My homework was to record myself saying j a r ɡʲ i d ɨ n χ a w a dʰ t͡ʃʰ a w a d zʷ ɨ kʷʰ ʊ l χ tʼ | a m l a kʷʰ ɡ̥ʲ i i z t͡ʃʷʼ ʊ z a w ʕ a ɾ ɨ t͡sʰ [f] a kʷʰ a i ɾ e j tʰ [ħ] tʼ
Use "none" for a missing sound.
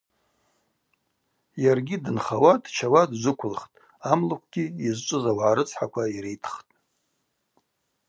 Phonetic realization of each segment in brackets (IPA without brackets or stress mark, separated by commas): ħ, χ